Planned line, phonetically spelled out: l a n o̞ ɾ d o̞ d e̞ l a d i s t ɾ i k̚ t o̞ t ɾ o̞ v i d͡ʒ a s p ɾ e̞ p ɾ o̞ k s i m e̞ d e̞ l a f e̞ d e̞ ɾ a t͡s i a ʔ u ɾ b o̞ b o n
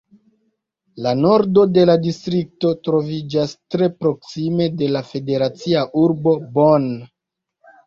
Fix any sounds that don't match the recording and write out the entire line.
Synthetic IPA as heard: l a n o̞ ɾ d o̞ d e̞ l a d i s t ɾ i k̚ t o̞ t ɾ o̞ v i d͡ʒ a s t ɾ e̞ p ɾ o̞ k s i m e̞ d e̞ l a f e̞ d e̞ ɾ a t͡s i a ʔ u ɾ b o̞ b o n